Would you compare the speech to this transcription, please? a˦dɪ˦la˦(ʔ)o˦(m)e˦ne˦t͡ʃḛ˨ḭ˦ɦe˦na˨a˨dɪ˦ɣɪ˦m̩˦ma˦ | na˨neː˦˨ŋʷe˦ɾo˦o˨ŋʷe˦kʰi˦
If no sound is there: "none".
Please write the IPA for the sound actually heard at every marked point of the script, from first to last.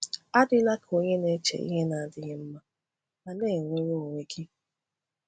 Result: k, ɲ

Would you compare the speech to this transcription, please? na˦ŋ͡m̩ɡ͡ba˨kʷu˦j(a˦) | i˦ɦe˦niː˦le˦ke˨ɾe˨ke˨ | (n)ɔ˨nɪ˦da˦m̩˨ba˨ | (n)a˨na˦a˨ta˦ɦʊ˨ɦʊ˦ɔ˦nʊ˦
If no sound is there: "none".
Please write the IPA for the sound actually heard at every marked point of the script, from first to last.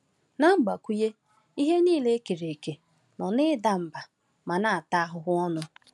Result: e˦, n, m

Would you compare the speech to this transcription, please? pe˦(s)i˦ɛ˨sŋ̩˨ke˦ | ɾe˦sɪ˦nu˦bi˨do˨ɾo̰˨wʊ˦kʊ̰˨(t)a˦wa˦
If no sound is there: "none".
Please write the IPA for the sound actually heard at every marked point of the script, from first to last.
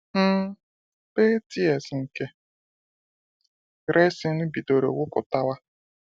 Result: t, t

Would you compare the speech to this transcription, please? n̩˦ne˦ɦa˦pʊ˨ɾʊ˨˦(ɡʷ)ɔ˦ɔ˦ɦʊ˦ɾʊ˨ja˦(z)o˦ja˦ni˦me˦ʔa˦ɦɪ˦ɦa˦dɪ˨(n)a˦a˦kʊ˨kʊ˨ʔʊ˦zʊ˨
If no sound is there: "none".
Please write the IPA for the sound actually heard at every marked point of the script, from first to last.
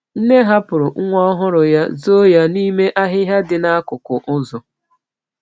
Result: ŋʷ, z, n

